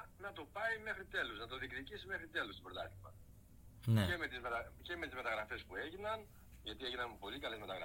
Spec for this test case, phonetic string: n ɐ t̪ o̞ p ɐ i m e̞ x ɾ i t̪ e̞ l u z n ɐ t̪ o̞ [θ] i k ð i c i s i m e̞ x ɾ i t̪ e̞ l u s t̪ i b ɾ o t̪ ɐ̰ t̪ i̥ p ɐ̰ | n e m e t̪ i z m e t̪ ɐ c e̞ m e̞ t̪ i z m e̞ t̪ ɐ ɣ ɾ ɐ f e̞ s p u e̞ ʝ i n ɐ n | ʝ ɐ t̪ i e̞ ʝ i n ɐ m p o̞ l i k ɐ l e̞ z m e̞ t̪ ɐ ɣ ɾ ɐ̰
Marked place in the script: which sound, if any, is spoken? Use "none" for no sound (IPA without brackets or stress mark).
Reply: ð